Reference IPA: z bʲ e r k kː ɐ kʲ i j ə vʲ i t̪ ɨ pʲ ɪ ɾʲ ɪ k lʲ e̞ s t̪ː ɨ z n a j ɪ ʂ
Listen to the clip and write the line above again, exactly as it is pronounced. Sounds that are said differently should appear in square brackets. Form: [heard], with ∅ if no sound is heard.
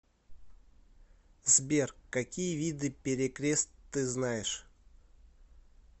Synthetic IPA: z bʲ e r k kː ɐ kʲ i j ə vʲ i [d̪] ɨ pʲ ɪ ɾʲ ɪ k [ɾʲ] e̞ s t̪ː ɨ z n a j ɪ ʂ